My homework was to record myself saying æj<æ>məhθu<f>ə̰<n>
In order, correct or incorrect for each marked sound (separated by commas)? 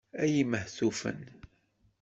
incorrect, correct, correct